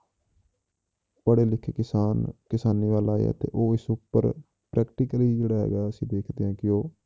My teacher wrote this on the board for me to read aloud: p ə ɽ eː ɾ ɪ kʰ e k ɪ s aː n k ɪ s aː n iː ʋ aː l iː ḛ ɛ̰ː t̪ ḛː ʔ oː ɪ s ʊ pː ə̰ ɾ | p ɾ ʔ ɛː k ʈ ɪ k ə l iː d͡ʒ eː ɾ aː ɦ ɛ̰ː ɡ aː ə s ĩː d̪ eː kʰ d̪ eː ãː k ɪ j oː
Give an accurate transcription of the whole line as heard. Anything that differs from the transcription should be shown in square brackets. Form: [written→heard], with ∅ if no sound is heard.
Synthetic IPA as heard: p ə ɽ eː [ɾ→l] ɪ kʰ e k ɪ s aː n k ɪ s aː n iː ʋ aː l [iː→aː] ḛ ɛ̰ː t̪ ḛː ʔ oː ɪ s ʊ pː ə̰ ɾ | p ɾ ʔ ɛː k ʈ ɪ k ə l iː d͡ʒ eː [ɾ→ɽ] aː ɦ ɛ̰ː ɡ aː ə s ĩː d̪ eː kʰ d̪ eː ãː k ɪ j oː